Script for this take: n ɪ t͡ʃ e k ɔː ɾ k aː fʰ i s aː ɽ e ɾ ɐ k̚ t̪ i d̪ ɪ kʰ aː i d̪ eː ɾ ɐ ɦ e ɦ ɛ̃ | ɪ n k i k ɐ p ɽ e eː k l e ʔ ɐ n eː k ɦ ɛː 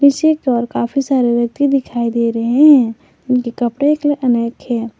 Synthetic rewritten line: n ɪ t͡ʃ e k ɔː ɾ k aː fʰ i s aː ɾ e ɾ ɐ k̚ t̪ i d̪ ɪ kʰ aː i d̪ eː ɾ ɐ ɦ e ɦ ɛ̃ | ɪ n k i k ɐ p ɽ e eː k l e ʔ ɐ n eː k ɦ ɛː